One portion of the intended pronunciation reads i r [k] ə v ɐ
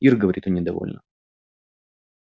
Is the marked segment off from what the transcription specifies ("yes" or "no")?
yes